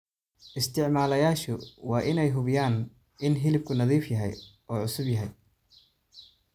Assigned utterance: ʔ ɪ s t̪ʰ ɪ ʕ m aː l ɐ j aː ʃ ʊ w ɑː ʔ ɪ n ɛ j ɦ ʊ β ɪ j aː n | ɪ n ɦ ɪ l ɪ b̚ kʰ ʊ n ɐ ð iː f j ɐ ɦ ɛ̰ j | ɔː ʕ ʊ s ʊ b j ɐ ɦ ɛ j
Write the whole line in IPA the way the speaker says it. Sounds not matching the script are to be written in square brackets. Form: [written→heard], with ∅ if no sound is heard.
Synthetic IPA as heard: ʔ ɪ s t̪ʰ ɪ ʕ m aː l ɐ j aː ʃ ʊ w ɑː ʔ ɪ n ɛ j ɦ ʊ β ɪ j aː n | ɪ n ɦ ɪ l ɪ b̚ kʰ ʊ n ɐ ð iː f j ɐ ɦ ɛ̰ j | ɔː ʕ ʊ s ʊ b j ɐ ɦ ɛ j